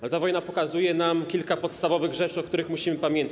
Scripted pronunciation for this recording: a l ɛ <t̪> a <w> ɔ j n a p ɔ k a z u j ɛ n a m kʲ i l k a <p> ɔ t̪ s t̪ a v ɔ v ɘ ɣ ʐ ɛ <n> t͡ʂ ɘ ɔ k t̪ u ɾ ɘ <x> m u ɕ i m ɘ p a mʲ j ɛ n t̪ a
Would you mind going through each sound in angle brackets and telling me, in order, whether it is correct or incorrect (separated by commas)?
correct, incorrect, correct, incorrect, correct